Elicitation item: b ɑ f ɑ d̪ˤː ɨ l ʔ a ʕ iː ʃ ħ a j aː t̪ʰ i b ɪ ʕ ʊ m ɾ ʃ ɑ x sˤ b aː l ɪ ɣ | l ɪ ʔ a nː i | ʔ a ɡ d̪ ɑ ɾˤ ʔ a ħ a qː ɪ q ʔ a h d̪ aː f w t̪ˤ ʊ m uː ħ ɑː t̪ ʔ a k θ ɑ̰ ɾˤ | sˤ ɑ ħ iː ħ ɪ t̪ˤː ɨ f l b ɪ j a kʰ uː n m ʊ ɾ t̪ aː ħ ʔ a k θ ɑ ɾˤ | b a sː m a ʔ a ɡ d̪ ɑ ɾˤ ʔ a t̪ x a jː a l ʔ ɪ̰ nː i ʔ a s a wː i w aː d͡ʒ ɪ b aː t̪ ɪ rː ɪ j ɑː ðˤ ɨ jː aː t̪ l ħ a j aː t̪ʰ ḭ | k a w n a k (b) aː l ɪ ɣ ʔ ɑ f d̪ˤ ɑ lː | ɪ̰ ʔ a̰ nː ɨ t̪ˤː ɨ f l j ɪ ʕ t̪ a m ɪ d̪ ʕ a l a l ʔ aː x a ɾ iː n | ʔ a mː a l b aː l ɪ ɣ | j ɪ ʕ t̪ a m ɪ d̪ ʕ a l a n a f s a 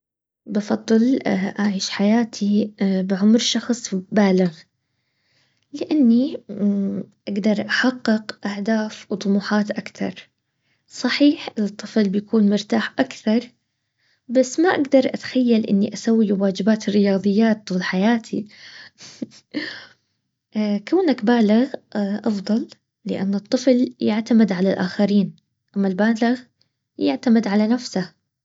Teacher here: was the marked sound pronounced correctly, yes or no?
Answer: yes